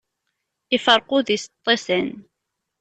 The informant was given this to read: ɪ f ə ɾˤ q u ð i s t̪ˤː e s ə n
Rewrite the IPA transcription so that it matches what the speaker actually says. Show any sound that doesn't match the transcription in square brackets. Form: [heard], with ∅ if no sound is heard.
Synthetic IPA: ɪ f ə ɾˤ q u ð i s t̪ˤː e s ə n